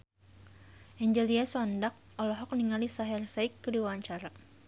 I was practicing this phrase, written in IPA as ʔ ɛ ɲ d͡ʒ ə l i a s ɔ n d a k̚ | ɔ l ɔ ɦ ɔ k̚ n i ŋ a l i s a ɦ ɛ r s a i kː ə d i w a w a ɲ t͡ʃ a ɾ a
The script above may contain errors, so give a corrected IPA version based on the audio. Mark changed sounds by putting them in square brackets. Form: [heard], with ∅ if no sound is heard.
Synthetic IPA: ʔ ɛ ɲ d͡ʒ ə l i a s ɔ n d a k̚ | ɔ l ɔ ɦ ɔ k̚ n i ŋ a l i s a ɦ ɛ r s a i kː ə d i w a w a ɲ t͡ʃ a ɾ a